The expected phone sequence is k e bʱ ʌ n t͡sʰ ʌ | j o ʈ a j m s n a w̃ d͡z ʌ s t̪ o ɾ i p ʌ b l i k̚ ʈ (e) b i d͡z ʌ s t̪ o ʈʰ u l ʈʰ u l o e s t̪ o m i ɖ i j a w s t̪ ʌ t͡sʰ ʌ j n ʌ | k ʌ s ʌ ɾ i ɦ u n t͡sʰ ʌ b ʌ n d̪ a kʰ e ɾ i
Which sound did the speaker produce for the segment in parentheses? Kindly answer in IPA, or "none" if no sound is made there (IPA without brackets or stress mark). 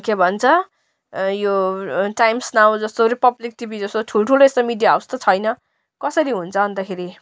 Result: i